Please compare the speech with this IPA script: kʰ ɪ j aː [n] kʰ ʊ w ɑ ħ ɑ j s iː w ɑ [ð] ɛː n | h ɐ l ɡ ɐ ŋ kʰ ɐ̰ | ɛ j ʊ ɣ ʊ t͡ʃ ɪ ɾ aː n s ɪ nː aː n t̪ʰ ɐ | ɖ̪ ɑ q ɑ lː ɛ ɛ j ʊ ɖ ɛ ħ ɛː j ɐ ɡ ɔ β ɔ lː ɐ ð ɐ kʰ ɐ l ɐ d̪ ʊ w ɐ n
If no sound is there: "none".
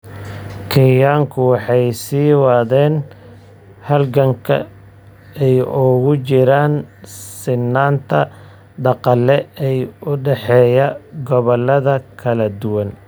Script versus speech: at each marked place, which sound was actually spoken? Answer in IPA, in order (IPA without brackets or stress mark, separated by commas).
ŋ, ð